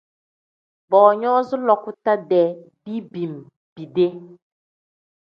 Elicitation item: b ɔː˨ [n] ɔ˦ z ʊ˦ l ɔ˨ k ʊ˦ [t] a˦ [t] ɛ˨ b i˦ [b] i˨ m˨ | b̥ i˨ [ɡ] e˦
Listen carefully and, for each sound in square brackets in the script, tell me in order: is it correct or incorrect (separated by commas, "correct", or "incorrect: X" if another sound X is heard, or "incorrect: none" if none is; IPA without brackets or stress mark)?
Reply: incorrect: ɲ, correct, incorrect: d, correct, incorrect: d